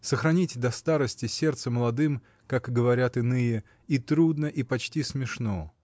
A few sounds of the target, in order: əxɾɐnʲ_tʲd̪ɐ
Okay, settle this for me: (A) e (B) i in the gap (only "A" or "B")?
B